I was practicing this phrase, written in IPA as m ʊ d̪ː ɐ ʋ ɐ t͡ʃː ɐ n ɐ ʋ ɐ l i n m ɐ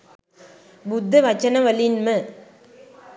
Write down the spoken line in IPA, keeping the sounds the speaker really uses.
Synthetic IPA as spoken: b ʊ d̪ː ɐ ʋ ɐ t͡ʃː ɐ n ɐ ʋ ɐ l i n m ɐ